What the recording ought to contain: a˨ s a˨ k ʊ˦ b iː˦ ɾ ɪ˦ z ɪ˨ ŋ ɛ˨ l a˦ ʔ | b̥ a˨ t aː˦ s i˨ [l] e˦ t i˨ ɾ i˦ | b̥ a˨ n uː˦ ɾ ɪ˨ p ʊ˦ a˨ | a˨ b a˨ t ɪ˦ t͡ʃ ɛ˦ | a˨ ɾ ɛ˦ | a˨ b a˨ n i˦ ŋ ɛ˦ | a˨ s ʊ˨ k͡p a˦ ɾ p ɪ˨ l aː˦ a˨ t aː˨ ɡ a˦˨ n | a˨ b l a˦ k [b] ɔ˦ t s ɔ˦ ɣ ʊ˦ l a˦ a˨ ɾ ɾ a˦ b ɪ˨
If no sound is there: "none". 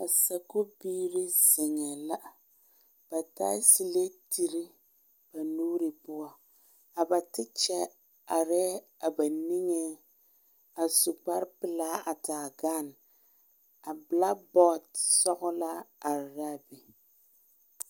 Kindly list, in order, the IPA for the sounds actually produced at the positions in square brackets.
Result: l, b

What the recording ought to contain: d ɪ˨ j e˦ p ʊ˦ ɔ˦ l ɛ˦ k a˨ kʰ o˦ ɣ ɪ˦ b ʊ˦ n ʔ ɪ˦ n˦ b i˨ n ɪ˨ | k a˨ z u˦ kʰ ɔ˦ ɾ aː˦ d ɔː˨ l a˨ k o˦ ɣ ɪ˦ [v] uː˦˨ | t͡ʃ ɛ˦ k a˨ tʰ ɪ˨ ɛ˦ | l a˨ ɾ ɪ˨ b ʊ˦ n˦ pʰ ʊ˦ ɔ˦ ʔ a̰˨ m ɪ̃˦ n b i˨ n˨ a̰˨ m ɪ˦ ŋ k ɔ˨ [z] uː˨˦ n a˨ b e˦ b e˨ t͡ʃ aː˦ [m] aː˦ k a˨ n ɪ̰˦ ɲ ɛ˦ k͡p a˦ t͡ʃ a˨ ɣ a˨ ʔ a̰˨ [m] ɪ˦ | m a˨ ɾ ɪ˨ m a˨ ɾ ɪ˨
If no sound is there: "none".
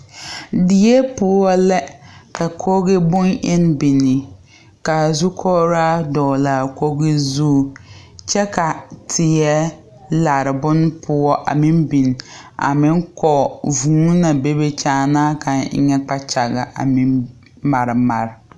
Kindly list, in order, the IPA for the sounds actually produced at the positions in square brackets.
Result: z, v, n, m

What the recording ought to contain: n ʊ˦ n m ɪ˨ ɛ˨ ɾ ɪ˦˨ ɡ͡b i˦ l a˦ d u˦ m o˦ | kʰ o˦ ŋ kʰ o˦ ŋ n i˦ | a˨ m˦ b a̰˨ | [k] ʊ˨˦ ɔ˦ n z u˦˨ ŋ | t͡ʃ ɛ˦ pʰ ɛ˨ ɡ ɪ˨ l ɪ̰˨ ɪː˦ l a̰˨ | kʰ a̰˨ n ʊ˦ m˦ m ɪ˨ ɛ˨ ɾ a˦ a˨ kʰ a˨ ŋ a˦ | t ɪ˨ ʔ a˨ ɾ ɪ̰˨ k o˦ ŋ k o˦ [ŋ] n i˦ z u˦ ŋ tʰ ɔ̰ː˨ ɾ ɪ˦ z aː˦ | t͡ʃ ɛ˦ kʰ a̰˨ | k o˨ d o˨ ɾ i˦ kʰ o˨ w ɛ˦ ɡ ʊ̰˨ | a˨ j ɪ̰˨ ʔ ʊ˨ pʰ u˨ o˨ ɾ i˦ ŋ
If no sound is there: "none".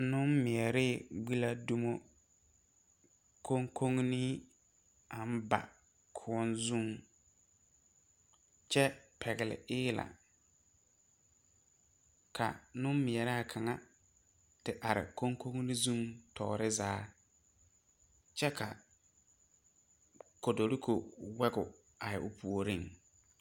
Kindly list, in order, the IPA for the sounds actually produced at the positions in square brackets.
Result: kʰ, ŋ

